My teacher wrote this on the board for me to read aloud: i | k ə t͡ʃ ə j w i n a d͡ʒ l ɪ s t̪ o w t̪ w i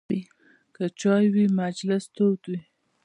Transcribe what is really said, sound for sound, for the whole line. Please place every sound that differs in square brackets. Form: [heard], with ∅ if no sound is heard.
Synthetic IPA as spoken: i | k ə t͡ʃ [ɑ] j w i [m] a d͡ʒ l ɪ s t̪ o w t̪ w i